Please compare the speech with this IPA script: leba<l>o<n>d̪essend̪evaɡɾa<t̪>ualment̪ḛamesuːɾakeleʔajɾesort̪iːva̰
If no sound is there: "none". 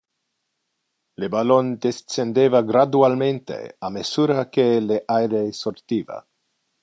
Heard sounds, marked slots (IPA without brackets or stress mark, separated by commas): l, n, d̪